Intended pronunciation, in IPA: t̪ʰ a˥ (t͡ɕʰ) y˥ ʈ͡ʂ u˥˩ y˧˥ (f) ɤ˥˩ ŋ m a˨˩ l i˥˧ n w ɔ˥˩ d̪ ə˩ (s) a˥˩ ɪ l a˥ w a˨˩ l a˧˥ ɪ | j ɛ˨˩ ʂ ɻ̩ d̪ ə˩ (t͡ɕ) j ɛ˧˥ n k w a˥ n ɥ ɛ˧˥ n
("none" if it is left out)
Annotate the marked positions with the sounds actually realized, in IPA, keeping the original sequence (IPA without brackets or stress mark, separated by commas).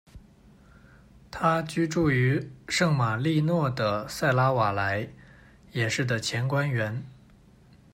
t͡ɕ, ʂ, s, t͡ɕʰ